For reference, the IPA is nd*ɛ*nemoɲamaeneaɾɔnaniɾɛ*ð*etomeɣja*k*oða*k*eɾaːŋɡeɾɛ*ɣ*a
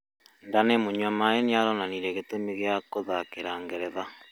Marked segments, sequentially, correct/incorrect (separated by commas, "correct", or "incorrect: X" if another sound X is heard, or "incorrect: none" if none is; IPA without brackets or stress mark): incorrect: a, incorrect: ɣ, correct, correct, incorrect: ð